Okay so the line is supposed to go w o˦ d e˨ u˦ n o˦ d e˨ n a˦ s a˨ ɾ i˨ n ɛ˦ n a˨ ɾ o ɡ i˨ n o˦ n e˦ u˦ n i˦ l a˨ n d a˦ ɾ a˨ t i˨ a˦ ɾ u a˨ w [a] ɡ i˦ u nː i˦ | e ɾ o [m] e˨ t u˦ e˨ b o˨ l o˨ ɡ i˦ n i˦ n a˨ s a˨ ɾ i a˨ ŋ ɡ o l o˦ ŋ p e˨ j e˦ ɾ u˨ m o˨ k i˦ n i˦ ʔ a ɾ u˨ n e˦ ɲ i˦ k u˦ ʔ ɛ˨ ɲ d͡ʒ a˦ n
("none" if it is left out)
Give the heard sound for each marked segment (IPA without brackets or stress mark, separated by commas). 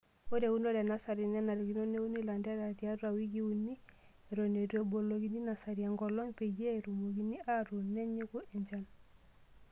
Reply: i, n